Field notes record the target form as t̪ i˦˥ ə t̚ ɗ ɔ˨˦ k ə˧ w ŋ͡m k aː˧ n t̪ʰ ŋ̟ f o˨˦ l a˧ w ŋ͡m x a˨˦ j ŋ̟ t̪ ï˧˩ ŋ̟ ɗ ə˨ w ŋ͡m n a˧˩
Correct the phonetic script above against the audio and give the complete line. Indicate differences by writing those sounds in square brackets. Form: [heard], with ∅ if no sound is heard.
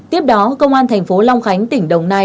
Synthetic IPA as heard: t̪ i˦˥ ə [p̚] ɗ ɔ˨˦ k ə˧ w ŋ͡m [ʔ] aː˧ n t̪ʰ ŋ̟ f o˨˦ l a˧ w ŋ͡m x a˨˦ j ŋ̟ t̪ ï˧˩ ŋ̟ ɗ ə˨ w ŋ͡m n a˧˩